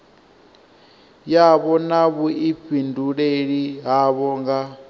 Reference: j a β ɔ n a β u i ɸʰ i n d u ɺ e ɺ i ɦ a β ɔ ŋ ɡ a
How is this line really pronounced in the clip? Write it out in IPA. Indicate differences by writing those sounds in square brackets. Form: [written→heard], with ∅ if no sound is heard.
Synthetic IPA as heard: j a β ɔ n a β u i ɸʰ i n d u ɺ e ɺ i ɦ a β ɔ ŋ ɡ a